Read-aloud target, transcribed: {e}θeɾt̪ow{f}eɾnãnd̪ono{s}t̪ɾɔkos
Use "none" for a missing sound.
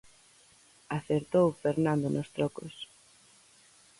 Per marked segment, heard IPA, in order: a, f, s

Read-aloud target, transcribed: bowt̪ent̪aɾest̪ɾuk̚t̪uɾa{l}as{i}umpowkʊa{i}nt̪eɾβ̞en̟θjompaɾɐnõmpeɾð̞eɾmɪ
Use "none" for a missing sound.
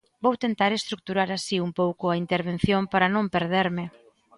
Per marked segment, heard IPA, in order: ɾ, i, i

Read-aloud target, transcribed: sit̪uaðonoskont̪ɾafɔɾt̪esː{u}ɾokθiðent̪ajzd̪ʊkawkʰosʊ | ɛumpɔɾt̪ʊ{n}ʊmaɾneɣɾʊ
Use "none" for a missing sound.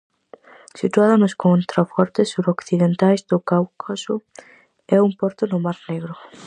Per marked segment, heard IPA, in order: u, n

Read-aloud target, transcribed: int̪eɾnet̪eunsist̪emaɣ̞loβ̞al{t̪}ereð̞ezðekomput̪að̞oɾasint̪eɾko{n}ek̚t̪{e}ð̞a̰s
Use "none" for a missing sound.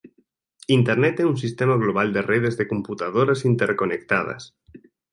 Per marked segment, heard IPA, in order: d̪, n, a

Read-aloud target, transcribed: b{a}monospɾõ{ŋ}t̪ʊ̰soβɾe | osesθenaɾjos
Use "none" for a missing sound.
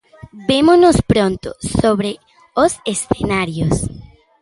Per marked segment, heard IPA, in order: e, n

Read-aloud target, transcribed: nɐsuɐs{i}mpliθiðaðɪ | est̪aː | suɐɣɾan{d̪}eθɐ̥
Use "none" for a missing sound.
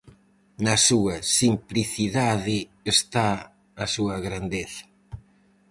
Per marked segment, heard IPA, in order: i, d̪

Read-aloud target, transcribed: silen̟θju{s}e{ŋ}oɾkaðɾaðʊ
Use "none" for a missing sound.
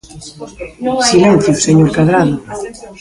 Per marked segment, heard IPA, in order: s, ɲ

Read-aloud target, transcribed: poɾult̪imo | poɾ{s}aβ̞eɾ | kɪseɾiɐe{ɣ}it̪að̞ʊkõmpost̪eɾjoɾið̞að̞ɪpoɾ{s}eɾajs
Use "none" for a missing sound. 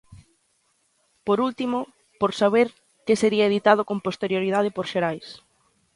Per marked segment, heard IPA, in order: s, ð, ʃ

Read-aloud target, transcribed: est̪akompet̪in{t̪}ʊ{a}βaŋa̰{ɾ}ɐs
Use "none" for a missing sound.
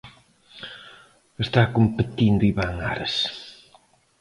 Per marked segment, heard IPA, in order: d̪, i, ɾ

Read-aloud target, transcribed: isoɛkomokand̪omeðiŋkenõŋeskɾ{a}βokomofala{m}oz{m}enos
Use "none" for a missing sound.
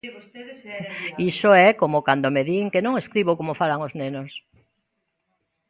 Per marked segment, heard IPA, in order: i, ŋ, n

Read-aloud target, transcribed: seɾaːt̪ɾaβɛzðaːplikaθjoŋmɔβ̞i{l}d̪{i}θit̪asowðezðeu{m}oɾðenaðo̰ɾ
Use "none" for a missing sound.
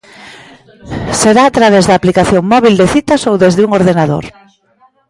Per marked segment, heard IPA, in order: l, e, ŋ

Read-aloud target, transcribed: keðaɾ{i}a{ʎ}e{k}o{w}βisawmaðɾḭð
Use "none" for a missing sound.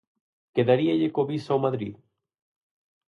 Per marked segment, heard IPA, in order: i, ʎ, k, none

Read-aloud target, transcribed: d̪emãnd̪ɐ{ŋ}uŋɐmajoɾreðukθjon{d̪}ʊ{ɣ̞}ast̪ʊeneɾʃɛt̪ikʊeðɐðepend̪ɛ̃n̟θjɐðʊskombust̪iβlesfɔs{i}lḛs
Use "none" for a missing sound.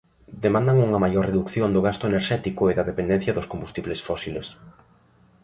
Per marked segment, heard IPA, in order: ŋ, d̪, ɣ̞, i

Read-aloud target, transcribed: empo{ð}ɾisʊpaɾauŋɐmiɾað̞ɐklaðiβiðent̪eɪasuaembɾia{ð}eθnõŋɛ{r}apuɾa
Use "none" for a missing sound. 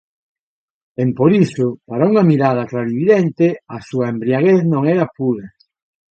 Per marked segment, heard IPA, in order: none, ɣ, ɾ

